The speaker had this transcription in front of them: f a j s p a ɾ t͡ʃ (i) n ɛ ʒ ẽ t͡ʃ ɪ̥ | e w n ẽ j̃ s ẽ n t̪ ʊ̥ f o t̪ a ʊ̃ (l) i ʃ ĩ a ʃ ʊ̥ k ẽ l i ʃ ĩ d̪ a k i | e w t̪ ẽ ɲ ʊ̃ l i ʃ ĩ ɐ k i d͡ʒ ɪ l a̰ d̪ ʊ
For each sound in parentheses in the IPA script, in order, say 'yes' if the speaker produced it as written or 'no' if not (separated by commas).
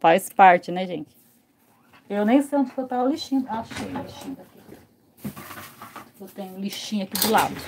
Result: no, yes